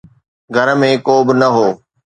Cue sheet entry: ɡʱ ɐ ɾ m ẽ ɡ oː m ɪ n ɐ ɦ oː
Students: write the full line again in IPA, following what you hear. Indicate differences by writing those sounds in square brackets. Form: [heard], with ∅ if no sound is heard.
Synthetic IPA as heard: ɡʱ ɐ ɾ m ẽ [k] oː [b] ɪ n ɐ ɦ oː